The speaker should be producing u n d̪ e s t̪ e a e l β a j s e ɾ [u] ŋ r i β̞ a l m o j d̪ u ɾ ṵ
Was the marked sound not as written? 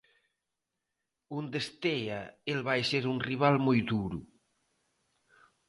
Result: no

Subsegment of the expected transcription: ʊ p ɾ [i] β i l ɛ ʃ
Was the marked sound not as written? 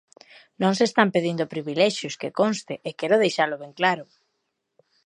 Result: no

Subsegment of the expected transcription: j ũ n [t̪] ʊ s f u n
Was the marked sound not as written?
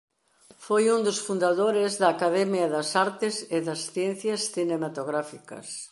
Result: yes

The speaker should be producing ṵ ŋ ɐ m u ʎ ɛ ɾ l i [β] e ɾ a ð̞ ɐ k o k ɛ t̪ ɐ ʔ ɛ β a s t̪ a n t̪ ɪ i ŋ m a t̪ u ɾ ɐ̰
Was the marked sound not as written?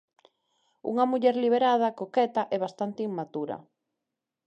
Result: no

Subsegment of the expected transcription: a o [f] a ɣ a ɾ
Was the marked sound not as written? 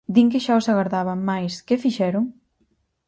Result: yes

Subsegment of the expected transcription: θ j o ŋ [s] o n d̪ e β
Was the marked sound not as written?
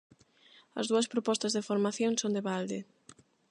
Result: no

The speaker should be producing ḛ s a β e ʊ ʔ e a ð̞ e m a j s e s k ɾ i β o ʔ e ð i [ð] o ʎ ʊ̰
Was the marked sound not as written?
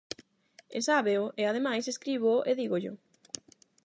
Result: yes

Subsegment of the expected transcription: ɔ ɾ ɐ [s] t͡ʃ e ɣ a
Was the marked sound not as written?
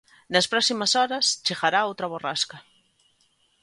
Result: no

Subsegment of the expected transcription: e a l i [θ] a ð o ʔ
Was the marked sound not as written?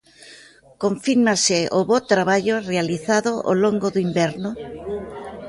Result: no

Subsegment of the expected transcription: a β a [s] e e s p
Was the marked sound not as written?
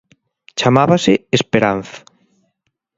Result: no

